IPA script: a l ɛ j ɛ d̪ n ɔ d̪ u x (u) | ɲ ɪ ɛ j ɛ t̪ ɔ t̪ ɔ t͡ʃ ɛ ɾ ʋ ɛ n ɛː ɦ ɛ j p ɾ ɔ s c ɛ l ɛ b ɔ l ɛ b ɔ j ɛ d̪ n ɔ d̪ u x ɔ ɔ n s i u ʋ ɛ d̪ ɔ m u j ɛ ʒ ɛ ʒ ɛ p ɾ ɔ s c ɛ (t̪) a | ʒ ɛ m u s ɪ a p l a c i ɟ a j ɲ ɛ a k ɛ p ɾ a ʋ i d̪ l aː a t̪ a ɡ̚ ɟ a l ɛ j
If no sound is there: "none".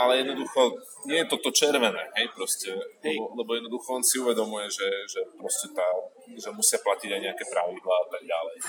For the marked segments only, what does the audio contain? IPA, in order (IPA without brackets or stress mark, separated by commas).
ɔ, t̪